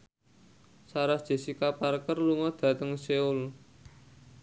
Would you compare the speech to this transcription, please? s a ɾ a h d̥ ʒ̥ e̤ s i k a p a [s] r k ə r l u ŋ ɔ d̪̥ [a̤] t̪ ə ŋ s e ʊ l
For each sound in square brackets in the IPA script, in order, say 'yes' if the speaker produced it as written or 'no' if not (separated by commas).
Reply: no, yes